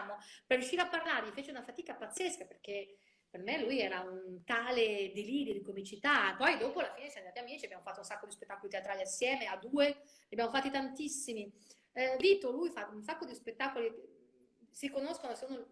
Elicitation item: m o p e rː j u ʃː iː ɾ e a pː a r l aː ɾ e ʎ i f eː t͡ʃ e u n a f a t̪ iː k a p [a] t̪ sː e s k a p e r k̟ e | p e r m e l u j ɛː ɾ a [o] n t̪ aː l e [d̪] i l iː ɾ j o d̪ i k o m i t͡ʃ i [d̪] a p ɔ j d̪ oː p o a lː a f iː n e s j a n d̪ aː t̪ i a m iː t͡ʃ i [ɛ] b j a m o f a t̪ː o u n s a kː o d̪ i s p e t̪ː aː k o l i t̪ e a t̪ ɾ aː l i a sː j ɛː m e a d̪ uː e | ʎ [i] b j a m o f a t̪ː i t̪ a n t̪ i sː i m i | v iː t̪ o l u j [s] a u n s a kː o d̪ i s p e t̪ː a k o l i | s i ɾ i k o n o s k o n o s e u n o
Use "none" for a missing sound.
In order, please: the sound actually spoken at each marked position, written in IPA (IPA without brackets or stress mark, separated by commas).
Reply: a, u, d̪, t̪, a, a, f